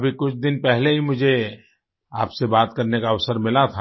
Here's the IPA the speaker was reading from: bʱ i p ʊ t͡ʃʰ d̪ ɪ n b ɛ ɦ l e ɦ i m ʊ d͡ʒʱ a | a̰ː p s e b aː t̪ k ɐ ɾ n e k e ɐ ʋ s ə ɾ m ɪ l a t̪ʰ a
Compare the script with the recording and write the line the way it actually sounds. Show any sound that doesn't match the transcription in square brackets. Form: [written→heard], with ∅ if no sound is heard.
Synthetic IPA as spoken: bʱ i [p→k] ʊ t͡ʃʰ d̪ ɪ n [b→p] ɛ ɦ l e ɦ i m ʊ d͡ʒʱ [a→e] | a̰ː p s e b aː t̪ k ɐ ɾ n e k [e→a] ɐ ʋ s ə ɾ m ɪ l a t̪ʰ a